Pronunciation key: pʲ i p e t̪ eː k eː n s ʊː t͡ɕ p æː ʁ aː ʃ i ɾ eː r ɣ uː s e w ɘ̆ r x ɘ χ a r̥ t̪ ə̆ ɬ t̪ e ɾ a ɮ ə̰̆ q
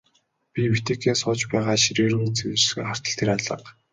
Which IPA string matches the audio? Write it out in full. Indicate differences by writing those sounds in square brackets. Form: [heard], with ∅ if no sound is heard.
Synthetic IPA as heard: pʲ i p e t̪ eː k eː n s ʊː t͡ɕ p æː ʁ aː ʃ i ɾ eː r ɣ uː [t͡s] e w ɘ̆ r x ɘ χ a r̥ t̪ ə̆ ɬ [t̪ʰ] e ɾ a ɮ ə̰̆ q